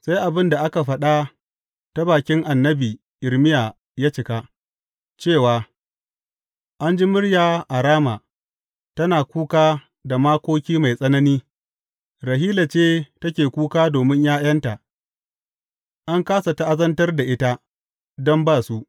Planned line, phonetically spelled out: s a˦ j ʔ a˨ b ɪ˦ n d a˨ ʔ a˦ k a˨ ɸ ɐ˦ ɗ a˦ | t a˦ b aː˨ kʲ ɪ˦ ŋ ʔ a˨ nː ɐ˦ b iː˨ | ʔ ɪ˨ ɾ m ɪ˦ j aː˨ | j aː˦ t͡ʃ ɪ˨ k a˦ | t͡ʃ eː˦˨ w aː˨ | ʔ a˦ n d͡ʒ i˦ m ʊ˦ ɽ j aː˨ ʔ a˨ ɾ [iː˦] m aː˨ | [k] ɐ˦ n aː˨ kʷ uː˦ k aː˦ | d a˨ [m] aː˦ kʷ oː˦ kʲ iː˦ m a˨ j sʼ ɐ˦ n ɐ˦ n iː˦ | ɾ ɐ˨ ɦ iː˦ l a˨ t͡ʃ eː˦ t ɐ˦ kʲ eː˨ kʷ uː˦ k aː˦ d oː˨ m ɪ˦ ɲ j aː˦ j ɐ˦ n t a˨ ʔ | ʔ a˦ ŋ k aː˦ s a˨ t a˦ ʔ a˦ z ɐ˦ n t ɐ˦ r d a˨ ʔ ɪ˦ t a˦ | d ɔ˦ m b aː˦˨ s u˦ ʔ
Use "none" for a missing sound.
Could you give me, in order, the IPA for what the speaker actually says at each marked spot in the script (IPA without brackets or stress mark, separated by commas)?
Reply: aː˦, t, m